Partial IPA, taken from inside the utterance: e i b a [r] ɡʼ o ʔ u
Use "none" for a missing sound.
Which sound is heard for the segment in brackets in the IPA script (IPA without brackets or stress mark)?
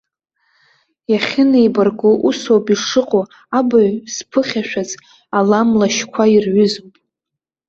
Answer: r